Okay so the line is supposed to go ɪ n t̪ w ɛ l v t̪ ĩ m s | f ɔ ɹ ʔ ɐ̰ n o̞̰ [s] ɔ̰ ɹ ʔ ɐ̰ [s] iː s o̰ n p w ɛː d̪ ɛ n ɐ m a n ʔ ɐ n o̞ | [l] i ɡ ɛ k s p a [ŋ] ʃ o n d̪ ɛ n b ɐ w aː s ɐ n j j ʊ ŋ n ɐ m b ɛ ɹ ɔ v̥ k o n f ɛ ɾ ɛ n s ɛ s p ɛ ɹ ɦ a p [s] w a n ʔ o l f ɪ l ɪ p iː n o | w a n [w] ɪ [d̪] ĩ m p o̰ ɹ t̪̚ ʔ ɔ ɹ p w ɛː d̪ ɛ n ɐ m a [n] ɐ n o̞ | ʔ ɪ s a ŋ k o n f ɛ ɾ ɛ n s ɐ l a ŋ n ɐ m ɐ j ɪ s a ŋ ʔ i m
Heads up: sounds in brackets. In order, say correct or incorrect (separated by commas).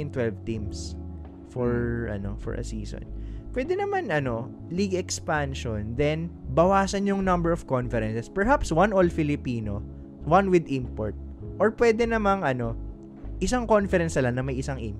incorrect, correct, correct, incorrect, correct, correct, correct, incorrect